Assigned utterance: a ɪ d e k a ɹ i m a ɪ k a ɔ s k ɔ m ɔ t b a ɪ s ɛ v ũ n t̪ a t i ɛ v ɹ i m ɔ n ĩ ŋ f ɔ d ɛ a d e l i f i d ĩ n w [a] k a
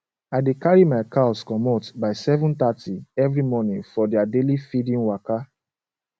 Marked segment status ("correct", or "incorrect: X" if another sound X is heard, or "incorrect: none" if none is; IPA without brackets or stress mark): correct